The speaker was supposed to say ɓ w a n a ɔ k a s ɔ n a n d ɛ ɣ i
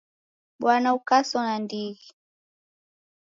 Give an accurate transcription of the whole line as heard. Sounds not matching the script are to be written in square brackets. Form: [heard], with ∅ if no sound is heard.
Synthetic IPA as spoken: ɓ w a n a [u] k a s ɔ n a n d [i] ɣ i